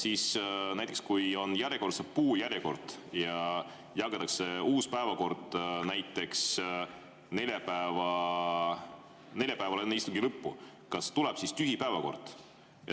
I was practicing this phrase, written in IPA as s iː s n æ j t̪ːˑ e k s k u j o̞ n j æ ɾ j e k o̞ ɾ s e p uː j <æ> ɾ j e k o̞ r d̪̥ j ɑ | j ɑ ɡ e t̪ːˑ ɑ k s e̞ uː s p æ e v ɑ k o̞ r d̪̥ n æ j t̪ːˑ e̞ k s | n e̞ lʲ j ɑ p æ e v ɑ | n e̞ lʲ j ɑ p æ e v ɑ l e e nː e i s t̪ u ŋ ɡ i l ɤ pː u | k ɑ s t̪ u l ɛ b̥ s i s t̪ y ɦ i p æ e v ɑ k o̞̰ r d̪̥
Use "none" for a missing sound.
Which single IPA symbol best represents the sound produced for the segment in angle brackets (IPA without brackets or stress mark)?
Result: æ